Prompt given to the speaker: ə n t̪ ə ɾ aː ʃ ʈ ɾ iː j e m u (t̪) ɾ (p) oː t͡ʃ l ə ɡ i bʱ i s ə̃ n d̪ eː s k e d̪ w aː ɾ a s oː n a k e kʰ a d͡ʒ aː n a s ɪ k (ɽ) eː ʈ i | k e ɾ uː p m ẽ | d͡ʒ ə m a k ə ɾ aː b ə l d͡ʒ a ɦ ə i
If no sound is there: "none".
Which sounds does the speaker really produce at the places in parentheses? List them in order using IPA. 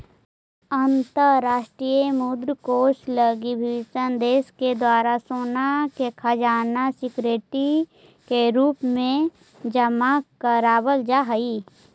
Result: d̪, k, ɾ

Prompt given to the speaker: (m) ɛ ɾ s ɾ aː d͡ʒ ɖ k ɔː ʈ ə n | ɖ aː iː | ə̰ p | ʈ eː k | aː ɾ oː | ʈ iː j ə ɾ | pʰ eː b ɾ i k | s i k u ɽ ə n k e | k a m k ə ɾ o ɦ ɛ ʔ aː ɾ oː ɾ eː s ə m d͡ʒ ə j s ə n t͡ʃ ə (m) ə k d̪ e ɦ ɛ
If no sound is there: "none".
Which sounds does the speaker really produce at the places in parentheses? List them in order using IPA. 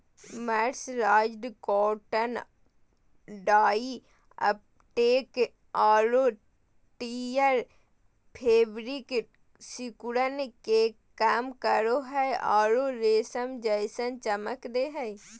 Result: m, m

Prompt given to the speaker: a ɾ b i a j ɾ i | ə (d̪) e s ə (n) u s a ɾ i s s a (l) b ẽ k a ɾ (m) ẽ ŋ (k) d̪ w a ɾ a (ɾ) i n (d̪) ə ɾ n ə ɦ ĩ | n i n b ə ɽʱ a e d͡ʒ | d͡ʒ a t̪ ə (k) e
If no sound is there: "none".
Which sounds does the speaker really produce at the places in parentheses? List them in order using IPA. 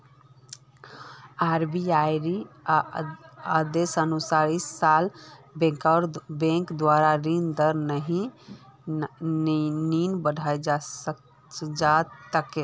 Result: d̪, n, l, b, k, ɾ, d̪, k

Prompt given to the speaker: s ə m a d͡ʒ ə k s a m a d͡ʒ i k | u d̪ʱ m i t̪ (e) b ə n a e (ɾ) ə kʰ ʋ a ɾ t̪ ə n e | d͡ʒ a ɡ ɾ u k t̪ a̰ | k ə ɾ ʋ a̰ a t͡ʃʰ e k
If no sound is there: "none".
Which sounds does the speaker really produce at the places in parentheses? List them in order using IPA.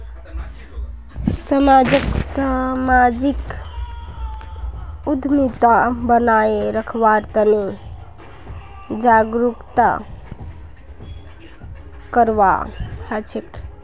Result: a, ɾ

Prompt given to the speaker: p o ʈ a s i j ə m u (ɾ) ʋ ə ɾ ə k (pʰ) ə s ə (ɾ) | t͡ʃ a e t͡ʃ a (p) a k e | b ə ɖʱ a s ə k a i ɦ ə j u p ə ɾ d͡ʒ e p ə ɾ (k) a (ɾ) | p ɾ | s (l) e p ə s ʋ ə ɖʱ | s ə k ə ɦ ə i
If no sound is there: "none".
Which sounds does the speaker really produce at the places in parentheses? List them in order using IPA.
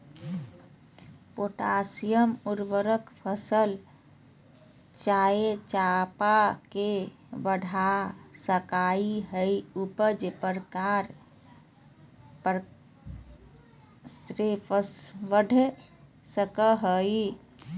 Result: ɾ, pʰ, l, p, k, ɾ, ɾ

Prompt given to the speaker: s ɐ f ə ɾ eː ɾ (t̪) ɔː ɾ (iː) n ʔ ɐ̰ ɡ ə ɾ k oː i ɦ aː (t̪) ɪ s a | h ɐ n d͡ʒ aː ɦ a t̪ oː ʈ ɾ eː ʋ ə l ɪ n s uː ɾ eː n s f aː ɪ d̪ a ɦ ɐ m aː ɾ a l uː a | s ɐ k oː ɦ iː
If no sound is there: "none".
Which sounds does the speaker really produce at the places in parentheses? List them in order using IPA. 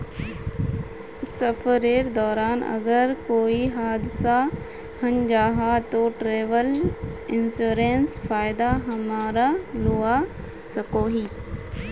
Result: d̪, aː, d̪

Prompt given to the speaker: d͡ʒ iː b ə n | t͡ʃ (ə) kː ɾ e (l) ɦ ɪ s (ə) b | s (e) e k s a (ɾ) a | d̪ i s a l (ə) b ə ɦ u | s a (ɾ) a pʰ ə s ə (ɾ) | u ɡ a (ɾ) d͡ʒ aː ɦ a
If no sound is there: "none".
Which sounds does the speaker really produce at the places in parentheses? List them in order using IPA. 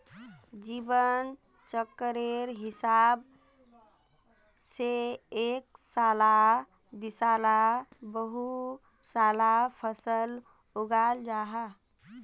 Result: ə, ɾ, a, e, l, a, l, l, l

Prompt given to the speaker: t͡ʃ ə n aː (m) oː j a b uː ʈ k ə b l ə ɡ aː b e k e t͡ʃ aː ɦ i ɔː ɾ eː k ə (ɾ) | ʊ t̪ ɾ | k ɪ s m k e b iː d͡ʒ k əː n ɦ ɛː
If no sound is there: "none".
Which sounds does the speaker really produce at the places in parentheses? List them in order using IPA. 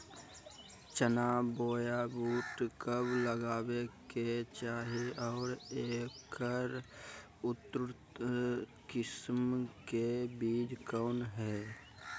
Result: b, ɾ

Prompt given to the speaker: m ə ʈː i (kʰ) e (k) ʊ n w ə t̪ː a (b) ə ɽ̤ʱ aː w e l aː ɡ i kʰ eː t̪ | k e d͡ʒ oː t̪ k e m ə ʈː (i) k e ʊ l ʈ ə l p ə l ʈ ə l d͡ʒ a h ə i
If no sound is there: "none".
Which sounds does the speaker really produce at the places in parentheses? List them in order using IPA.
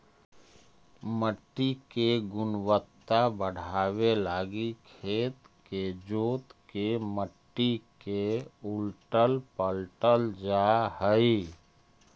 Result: k, ɡ, b, i

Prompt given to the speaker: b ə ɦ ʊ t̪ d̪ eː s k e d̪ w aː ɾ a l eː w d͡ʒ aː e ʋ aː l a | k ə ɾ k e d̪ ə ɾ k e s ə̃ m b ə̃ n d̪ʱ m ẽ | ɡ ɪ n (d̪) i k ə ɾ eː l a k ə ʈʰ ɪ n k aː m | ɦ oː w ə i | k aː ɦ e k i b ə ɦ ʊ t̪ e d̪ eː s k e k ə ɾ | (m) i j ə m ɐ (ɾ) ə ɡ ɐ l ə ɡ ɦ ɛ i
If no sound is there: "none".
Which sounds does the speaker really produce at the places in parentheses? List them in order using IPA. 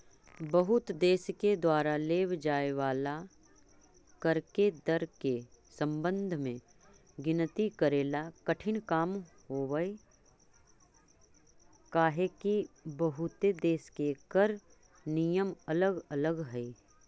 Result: t̪, n, l

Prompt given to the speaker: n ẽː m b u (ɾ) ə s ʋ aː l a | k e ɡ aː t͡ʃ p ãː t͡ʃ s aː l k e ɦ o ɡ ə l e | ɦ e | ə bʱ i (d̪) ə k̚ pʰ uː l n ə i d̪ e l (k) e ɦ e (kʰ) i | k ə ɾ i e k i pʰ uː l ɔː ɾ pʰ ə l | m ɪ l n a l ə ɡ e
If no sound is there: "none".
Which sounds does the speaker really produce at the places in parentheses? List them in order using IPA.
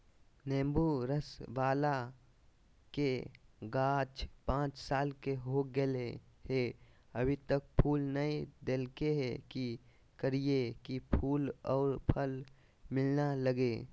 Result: ɾ, t̪, k, k

